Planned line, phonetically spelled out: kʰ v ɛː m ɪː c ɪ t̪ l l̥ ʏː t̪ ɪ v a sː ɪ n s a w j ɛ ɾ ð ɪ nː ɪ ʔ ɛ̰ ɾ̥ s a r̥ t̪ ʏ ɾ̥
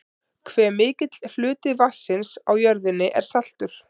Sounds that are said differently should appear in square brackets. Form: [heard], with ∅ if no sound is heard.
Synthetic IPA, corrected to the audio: kʰ v ɛː m ɪː c ɪ t̪ l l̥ ʏː t̪ ɪ v a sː ɪ n s a w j [œ] ɾ ð ɪ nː ɪ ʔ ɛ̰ ɾ̥ s a [l̥] t̪ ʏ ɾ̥

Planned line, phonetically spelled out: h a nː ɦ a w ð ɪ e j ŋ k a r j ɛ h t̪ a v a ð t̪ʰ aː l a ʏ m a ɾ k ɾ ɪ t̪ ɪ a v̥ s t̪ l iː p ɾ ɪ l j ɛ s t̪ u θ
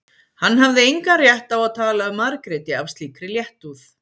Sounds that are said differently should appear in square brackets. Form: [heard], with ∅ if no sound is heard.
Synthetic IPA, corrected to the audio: h a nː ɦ a [v] ð ɪ e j ŋ k a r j ɛ h t̪ a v a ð t̪ʰ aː l a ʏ m a ɾ k ɾ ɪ t̪ ɪ a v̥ s t̪ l iː [k] ɾ ɪ l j ɛ [h] t̪ u θ

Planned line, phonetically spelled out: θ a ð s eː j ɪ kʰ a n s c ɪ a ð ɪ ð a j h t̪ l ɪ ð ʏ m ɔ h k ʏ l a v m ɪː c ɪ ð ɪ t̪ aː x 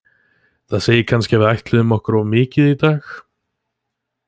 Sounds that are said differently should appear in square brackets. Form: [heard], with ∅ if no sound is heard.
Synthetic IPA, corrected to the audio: θ a ð s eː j ɪ kʰ a n s c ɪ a [v] ɪ ð a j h t̪ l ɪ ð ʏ m ɔ h k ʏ [ɾ] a v m ɪː c ɪ ð [i] t̪ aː x

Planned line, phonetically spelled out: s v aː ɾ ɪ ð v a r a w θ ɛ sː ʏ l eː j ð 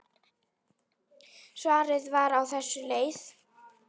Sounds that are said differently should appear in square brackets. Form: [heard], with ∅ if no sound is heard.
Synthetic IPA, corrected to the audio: s v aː ɾ ɪ ð v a [ɾ] a w θ ɛ sː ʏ l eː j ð

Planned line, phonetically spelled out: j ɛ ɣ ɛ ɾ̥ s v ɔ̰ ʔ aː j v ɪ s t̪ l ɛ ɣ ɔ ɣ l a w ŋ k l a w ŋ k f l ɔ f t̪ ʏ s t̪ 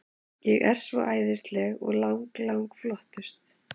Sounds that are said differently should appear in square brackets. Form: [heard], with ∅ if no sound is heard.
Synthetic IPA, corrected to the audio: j ɛ ɣ ɛ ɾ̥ s v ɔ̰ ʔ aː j [ð] ɪ s t̪ l ɛ ɣ ɔ ɣ l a w ŋ k l a w ŋ k f l ɔ [h] t̪ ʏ s t̪

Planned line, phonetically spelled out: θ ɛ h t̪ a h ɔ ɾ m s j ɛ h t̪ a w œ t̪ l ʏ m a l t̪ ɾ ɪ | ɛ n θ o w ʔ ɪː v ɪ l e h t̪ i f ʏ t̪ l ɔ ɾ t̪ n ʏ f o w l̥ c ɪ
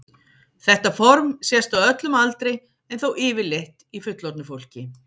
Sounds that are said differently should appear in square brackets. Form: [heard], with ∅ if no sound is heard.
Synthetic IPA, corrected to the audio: θ ɛ h t̪ a [f] ɔ ɾ m s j ɛ [s] t̪ a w œ t̪ l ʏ m a l t̪ ɾ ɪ | ɛ n θ o w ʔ ɪː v ɪ l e h t̪ i f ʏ t̪ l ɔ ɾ t̪ n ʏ f o w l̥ c ɪ

